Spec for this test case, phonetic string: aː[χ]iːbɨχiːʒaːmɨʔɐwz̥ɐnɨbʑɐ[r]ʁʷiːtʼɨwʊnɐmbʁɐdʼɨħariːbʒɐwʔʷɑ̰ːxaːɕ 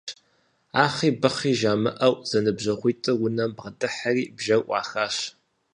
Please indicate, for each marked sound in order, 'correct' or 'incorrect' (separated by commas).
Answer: correct, incorrect